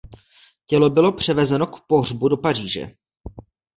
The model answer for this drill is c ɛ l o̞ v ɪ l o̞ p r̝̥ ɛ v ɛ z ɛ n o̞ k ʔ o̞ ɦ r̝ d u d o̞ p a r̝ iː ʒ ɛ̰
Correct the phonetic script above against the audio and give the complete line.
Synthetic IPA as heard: c ɛ l o̞ b ɪ l o̞ p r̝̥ ɛ v ɛ z ɛ n o̞ k p o̞ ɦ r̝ b u d o̞ p a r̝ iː ʒ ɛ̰